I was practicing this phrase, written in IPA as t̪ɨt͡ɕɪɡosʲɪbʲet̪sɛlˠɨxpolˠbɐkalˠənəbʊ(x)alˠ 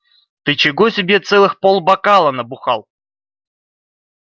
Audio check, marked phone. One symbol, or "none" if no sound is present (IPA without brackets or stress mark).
x